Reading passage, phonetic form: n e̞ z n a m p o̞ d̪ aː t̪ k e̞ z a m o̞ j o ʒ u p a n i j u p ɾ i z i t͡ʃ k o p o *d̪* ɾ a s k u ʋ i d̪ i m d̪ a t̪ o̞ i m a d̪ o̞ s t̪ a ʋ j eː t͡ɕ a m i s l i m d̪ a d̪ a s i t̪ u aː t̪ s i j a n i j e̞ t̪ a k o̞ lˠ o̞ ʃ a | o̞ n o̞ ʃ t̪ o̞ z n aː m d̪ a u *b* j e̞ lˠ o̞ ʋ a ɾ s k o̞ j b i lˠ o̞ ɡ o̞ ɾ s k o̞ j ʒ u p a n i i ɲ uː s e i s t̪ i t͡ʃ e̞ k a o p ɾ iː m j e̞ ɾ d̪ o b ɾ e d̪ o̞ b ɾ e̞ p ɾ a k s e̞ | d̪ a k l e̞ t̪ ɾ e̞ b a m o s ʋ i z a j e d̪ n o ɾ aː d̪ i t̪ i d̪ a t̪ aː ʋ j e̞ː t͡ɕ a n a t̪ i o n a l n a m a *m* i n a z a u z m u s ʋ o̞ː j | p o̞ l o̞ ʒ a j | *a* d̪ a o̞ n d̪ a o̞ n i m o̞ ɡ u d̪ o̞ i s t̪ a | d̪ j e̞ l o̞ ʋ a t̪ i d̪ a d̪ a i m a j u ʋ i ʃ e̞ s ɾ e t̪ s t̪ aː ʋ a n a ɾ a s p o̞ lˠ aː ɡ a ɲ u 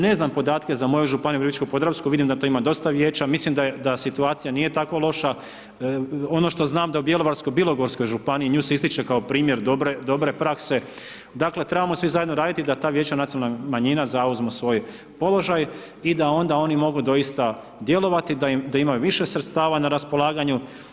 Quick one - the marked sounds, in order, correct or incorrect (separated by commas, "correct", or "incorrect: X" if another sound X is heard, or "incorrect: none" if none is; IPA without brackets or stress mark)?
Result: correct, correct, incorrect: ɲ, incorrect: i